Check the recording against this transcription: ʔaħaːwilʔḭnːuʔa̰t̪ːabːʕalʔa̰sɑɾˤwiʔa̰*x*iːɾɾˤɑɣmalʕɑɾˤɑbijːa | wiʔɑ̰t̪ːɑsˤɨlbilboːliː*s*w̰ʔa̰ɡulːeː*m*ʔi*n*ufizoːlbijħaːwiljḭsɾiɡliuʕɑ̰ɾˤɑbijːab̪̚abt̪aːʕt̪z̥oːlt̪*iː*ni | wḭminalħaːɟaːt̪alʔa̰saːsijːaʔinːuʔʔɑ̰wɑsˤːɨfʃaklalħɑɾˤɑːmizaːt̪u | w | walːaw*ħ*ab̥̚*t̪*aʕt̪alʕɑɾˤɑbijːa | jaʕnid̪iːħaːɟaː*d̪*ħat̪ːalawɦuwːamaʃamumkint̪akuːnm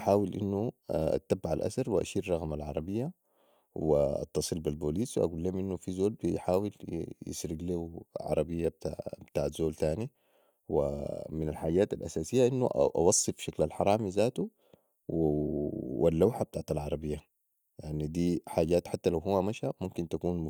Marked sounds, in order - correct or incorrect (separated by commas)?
incorrect, correct, correct, incorrect, incorrect, correct, correct, incorrect